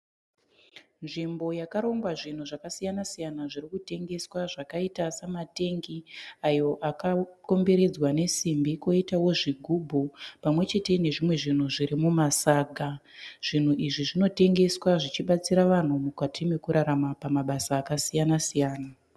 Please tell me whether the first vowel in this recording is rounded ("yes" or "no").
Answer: no